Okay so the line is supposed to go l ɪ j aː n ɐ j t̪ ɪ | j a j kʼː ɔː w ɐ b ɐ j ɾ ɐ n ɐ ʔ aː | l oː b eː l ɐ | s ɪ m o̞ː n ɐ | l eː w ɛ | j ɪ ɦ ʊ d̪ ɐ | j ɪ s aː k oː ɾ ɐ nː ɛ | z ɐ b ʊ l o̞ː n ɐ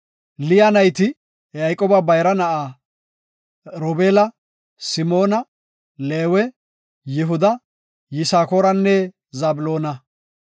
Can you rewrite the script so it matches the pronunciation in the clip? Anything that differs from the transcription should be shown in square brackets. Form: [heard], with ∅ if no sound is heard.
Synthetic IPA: l ɪ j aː n ɐ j t̪ ɪ | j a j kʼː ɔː [b] ɐ b ɐ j ɾ ɐ n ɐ ʔ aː | [ɾ] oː b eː l ɐ | s ɪ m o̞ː n ɐ | l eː w ɛ | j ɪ ɦ ʊ d̪ ɐ | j ɪ s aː k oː ɾ ɐ nː ɛ | z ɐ b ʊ l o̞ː n ɐ